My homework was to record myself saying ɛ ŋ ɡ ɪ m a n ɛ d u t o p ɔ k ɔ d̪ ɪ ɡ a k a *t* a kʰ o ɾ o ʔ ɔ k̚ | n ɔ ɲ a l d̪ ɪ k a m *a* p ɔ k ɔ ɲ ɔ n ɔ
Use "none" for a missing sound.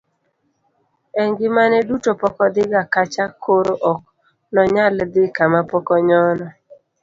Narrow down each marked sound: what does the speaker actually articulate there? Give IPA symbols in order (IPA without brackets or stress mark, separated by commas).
t͡ʃ, a